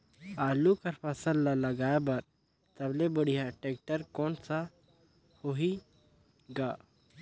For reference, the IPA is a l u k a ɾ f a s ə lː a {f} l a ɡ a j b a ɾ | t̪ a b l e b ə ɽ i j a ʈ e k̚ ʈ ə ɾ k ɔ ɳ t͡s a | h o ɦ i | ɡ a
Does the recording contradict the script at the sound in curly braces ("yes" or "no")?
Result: yes